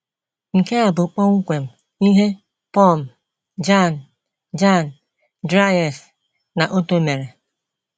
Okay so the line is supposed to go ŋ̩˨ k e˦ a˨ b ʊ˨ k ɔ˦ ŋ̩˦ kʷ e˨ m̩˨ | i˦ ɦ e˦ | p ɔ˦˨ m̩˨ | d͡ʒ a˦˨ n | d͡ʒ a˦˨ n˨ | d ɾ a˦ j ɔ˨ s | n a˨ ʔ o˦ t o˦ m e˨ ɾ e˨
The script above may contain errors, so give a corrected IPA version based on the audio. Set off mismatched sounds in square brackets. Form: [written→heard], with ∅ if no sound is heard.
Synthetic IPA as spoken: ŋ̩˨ k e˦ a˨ b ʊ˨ [k→k͡p] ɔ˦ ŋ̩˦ kʷ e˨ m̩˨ | i˦ ɦ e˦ | p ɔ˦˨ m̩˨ | d͡ʒ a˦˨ n | d͡ʒ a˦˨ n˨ | d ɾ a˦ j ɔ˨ s | n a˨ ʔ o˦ t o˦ m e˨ ɾ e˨